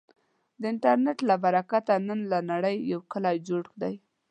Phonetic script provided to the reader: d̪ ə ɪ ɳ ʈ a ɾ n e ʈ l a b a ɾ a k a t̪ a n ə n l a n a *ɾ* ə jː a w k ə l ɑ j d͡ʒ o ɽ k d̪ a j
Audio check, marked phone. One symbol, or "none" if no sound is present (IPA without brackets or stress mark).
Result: ɽ